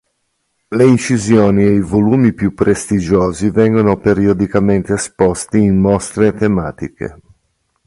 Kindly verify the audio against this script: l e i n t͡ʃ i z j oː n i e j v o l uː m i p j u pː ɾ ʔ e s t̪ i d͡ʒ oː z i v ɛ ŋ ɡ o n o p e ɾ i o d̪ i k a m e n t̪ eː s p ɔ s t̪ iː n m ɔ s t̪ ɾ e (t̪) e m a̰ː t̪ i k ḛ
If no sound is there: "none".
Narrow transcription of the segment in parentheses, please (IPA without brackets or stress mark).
t̪